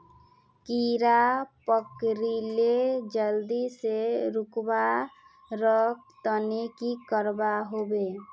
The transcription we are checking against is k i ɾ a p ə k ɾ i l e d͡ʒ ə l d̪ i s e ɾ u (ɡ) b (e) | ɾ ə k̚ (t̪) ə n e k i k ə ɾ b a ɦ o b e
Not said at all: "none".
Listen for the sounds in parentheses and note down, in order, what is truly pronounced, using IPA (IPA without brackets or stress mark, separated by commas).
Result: k, a, t̪